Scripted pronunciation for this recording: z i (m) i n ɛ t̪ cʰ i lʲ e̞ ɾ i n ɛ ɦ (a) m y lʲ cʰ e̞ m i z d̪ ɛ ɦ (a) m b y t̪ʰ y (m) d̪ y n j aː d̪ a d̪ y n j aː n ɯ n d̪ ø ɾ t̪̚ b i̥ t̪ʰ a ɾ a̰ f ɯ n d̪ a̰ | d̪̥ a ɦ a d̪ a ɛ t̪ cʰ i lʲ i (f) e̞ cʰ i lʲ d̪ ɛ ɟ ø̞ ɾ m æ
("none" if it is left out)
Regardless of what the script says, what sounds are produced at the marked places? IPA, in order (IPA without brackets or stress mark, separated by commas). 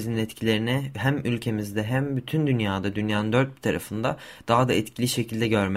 n, æ, æ, n, ʃ